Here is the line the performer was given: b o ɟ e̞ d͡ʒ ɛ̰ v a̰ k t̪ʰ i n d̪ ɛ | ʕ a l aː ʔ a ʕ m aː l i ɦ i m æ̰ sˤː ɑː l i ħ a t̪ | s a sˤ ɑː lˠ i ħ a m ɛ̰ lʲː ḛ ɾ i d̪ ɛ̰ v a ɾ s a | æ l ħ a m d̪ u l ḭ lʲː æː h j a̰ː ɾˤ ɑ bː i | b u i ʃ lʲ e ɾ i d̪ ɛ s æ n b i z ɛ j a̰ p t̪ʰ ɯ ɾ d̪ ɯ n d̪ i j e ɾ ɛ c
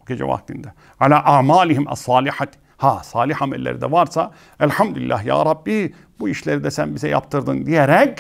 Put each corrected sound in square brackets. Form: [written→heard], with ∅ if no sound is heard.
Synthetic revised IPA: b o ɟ e̞ d͡ʒ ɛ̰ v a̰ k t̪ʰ i n d̪ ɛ | ʕ a l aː ʔ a ʕ m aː l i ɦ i m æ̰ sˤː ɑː l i ħ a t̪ | [s→h] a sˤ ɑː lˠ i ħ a m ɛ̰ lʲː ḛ ɾ i d̪ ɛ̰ v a ɾ s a | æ l ħ a m d̪ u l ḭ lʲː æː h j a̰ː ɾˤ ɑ bː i | b u i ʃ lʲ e ɾ i d̪ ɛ s æ n b i z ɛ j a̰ p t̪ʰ ɯ ɾ d̪ ɯ n d̪ i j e ɾ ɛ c

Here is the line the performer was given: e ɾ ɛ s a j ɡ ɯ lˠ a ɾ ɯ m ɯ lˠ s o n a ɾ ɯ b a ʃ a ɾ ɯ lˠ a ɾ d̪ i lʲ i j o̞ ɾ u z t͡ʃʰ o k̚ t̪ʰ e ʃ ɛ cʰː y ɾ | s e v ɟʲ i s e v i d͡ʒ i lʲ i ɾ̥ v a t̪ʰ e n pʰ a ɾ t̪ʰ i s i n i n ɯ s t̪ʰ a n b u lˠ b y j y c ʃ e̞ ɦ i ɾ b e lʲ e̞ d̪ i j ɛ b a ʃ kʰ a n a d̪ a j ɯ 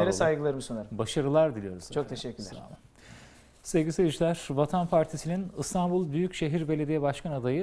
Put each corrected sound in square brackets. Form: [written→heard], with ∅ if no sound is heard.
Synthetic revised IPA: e ɾ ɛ s a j ɡ ɯ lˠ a ɾ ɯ m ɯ [lˠ→∅] s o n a ɾ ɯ b a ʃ a ɾ ɯ lˠ a ɾ d̪ i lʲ i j o̞ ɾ u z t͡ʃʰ o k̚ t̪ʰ e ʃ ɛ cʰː y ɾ | s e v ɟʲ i s e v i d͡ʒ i lʲ [i→æ] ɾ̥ v a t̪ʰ [e→a] n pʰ a ɾ t̪ʰ i s i n i n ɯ s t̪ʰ a n b u lˠ b y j y c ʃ e̞ ɦ i ɾ b e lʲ e̞ d̪ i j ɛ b a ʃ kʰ a n a d̪ a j ɯ

